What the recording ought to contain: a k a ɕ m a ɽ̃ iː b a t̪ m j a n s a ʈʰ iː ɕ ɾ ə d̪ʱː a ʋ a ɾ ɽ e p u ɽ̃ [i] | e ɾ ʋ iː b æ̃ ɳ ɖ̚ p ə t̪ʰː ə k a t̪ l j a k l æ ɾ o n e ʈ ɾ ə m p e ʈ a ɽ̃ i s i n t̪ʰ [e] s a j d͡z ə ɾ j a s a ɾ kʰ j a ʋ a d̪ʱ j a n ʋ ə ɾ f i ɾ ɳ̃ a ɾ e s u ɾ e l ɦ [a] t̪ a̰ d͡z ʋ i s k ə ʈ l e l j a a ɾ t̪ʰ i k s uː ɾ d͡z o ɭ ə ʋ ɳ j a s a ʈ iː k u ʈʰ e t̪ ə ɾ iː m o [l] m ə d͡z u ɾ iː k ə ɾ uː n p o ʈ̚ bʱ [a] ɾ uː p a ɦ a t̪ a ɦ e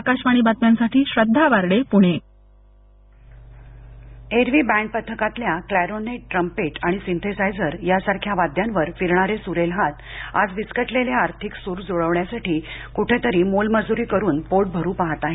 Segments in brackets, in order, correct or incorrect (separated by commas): incorrect, correct, correct, correct, incorrect